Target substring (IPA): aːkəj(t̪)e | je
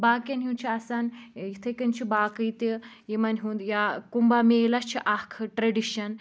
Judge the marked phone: correct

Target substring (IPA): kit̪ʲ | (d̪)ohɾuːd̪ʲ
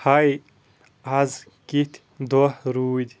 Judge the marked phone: correct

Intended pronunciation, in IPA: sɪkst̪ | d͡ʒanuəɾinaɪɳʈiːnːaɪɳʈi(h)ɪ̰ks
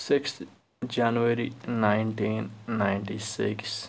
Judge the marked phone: incorrect: s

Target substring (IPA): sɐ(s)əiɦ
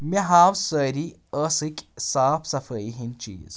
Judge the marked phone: incorrect: f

